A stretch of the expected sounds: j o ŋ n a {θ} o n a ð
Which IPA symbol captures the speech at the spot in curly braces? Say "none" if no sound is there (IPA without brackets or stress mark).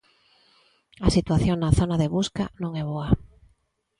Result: θ